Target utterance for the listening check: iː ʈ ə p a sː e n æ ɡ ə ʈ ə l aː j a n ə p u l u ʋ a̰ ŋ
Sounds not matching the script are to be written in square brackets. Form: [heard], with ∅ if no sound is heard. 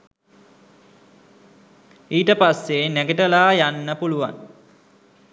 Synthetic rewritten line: iː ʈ ə p a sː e n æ ɡ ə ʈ ə l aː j a [nː] ə p u l u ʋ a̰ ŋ

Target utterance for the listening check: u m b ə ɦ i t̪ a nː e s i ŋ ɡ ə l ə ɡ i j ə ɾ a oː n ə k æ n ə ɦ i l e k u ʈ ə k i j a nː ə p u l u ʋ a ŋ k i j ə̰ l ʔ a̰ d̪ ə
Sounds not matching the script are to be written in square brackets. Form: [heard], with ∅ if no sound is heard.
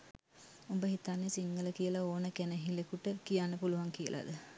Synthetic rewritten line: u m b ə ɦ i t̪ a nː e s i ŋ ɡ ə l ə [k] i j ə [l] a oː n ə k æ n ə ɦ i l e k u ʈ ə k i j a nː ə p u l u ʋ a ŋ k i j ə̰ l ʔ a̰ d̪ ə

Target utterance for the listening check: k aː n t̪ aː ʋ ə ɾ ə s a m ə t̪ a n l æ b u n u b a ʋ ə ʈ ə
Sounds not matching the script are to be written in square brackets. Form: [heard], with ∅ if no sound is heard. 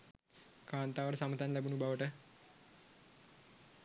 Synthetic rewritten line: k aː n t̪ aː ʋ ə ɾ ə s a m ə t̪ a n l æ b u n u b a ʋ ə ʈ ə

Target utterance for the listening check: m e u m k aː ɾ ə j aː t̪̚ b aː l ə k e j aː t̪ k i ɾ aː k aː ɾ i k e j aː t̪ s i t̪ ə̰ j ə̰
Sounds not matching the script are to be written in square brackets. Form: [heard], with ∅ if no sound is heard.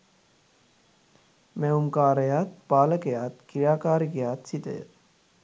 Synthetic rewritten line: m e u m k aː ɾ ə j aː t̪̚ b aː l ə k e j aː t̪ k i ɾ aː k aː ɾ i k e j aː t̪ s i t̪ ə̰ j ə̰

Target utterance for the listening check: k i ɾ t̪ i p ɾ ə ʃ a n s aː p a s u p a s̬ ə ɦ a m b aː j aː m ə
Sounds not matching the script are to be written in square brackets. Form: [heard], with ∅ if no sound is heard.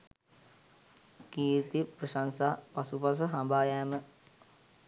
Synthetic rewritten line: k [iː] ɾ t̪ i p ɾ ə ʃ a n s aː p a s u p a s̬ ə ɦ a m b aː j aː m ə

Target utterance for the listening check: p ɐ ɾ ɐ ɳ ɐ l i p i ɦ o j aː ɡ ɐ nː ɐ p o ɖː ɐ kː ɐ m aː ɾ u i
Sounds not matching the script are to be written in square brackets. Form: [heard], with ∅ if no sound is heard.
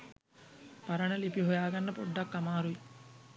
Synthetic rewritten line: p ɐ ɾ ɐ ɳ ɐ l i p i ɦ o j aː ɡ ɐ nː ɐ p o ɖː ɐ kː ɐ m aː ɾ u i

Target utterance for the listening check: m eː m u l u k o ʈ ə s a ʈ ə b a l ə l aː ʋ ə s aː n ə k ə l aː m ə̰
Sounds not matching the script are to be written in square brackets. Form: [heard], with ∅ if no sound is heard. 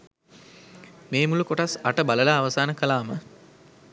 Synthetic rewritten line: m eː m u l u k o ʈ [a] s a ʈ ə b a l ə l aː ʋ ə s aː n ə k ə l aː m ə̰

